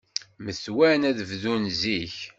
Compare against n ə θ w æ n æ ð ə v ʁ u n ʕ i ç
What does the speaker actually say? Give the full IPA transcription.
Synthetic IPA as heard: m ə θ w æ n æ ð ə v ð u n z i ç